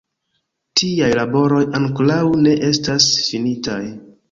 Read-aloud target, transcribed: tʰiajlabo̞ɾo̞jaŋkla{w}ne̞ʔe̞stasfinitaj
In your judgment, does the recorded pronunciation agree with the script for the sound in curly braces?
yes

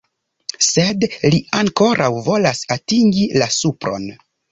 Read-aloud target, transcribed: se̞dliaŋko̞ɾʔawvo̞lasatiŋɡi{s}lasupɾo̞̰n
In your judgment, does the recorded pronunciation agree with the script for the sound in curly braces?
no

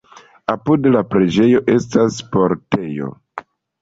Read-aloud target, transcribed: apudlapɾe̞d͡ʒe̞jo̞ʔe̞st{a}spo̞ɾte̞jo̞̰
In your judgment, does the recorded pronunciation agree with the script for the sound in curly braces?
yes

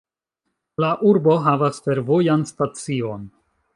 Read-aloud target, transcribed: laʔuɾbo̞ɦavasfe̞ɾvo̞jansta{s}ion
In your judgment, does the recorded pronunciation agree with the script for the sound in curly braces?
no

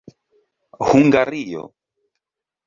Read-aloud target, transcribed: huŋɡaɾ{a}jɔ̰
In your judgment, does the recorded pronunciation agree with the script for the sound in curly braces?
no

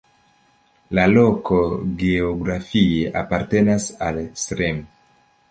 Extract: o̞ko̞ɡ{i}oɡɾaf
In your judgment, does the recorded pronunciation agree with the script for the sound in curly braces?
no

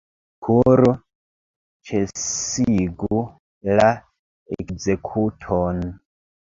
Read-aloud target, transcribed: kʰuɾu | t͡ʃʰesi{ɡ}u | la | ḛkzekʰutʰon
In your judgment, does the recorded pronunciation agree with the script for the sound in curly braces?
yes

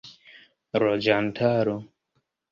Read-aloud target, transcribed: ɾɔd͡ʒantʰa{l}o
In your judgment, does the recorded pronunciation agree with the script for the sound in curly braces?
no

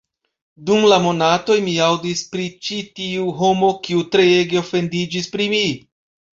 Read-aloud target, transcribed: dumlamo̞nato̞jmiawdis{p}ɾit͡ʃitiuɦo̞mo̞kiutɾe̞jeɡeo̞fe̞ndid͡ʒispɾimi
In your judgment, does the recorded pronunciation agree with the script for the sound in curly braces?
yes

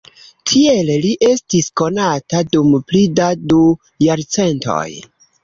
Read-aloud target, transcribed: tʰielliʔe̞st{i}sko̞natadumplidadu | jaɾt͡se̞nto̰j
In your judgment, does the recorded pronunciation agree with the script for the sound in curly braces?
yes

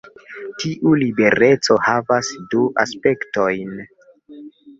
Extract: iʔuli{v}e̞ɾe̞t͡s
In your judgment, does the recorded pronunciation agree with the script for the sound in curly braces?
no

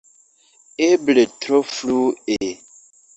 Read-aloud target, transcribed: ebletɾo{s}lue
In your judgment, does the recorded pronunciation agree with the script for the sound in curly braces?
no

